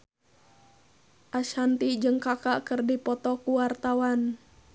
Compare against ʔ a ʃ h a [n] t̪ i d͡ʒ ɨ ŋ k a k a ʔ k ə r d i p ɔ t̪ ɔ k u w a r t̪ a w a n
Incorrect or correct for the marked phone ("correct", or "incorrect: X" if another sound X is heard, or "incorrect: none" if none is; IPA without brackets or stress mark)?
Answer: correct